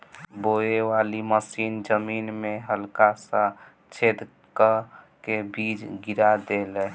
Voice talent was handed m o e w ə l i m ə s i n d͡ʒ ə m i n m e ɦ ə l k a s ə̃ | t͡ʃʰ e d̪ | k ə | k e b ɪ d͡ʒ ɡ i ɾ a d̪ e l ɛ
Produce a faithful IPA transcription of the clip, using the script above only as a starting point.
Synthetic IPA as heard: b o e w a l i m ə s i n d͡ʒ ə m i n m e ɦ ə l k a s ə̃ | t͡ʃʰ e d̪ | k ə | k e b i d͡ʒ ɡ i ɾ a d̪ e l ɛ